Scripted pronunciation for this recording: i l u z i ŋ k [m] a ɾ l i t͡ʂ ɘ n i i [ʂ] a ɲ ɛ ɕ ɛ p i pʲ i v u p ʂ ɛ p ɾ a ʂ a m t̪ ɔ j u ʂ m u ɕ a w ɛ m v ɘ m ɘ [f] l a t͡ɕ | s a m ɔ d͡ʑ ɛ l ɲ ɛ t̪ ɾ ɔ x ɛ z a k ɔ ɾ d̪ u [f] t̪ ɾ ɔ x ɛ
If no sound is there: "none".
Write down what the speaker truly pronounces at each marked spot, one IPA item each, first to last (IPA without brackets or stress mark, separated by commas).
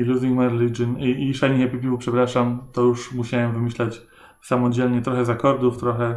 m, ʂ, ɕ, f